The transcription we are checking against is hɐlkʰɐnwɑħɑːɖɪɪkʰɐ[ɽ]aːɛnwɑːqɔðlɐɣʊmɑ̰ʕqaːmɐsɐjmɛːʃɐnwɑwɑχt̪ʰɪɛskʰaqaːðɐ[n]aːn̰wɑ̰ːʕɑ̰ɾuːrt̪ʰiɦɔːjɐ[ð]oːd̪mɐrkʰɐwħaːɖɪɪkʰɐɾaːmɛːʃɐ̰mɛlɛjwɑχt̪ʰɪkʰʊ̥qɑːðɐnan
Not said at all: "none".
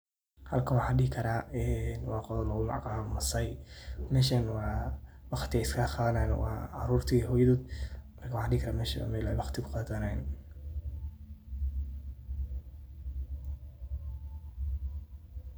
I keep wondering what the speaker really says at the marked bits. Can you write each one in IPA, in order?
ɾ, n, ð

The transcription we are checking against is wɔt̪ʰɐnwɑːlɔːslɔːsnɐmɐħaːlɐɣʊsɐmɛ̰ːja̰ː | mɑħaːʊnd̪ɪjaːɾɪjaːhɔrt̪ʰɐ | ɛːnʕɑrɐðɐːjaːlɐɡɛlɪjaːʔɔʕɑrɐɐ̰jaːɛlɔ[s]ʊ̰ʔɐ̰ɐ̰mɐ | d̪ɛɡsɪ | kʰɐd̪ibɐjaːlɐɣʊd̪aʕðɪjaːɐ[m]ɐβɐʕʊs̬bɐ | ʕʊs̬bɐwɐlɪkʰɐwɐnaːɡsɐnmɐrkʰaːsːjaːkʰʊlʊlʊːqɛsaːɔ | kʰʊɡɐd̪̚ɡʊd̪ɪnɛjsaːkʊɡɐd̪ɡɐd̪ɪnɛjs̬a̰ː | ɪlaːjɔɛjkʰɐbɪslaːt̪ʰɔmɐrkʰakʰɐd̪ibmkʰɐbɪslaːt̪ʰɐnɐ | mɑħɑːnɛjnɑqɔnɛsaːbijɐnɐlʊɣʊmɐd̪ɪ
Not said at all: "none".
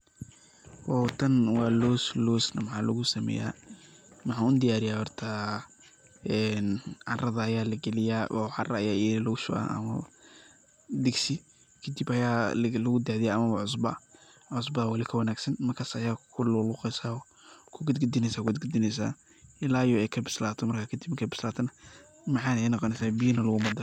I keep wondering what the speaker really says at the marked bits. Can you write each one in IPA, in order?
ʃ, m

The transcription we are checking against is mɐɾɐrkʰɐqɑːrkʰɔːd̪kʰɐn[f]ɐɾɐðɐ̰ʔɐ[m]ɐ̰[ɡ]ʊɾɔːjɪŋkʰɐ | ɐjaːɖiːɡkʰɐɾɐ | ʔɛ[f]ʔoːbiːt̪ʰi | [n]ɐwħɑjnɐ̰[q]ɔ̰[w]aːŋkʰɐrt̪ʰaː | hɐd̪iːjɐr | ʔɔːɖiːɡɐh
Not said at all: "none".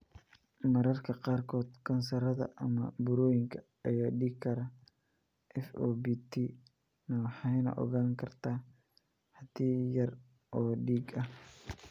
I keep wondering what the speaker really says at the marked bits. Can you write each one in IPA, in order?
s, m, b, f, n, ʔ, ɣ

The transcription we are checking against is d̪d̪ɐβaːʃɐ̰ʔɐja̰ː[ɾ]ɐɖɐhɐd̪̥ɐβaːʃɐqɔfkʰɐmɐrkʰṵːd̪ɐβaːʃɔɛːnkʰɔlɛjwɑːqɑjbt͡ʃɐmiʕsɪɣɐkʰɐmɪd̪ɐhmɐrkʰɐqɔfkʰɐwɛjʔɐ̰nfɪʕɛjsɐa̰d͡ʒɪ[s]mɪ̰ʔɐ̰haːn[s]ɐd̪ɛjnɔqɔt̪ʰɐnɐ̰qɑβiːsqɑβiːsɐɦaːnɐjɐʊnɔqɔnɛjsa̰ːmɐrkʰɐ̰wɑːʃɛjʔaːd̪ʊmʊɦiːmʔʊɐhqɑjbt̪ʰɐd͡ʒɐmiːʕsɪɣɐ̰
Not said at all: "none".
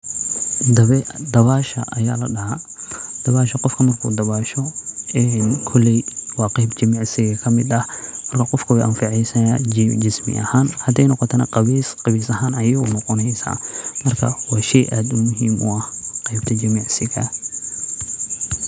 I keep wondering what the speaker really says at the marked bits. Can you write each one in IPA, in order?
l, s, h

